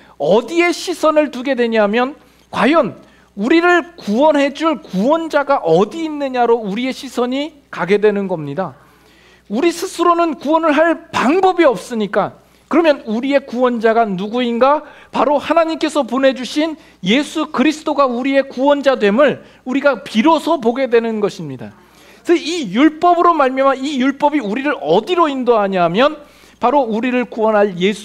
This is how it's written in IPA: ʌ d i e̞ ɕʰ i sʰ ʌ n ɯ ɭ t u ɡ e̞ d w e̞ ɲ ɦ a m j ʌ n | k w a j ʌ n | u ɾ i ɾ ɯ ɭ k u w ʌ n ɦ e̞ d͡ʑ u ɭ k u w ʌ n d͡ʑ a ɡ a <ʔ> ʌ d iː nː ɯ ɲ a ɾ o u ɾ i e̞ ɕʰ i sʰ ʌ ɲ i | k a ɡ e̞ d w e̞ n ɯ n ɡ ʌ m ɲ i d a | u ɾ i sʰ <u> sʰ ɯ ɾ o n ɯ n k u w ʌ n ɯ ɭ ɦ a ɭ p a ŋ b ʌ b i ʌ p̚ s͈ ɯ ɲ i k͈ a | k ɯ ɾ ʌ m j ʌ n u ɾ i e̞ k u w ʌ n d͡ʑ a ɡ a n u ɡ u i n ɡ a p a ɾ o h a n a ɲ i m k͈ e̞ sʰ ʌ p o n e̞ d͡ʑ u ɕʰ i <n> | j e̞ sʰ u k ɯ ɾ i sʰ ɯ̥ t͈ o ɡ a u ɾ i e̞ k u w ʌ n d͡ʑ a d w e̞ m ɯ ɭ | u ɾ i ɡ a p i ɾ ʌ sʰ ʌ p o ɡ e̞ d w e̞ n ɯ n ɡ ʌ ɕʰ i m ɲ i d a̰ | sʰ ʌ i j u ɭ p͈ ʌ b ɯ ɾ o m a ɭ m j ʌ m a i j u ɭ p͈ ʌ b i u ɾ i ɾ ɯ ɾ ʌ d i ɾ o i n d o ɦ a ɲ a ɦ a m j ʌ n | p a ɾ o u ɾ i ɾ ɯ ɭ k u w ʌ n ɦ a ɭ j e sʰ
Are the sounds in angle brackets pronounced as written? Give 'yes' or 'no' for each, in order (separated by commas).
yes, no, yes